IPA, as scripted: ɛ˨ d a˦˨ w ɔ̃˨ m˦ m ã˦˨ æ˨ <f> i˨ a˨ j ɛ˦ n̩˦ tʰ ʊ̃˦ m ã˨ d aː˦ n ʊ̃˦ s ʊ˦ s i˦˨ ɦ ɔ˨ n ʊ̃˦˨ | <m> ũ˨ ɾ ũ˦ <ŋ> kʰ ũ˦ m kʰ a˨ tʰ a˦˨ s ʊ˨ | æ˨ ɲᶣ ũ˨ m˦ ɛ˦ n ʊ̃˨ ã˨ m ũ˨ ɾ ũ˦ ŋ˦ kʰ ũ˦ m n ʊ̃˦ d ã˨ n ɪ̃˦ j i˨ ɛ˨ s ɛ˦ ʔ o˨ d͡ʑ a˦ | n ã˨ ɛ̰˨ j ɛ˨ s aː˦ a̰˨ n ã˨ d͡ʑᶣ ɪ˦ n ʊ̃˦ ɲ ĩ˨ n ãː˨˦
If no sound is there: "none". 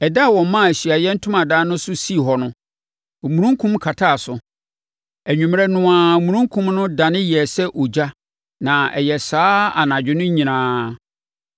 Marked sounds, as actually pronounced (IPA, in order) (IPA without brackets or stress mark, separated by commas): ɕ, m, ŋ